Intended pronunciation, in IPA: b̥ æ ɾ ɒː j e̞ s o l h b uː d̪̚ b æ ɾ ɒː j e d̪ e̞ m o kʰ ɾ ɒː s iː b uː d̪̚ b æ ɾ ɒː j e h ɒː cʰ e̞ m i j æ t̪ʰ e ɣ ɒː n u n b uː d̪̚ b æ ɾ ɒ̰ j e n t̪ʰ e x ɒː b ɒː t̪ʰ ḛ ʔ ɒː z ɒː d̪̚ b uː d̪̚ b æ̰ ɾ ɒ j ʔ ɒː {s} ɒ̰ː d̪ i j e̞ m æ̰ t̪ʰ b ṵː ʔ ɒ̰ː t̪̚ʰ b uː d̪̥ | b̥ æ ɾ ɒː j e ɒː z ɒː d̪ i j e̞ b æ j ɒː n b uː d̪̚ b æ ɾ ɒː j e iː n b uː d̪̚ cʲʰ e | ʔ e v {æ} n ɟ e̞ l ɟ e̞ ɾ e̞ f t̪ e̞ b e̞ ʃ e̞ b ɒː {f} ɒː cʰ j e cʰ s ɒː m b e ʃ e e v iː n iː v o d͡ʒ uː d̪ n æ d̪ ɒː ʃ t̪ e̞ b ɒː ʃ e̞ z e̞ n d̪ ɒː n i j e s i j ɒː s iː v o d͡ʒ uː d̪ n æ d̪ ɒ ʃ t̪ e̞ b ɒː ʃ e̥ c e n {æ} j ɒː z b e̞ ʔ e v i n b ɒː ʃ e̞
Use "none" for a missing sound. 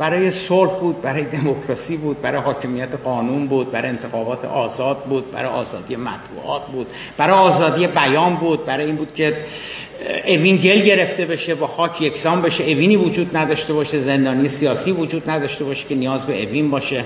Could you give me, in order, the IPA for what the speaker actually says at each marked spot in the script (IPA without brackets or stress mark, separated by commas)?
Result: z, i, x, i